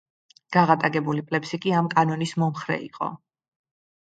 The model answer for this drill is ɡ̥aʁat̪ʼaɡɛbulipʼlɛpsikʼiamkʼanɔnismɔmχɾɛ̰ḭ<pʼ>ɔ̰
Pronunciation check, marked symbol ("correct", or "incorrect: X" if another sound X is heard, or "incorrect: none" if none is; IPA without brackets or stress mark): incorrect: qʼ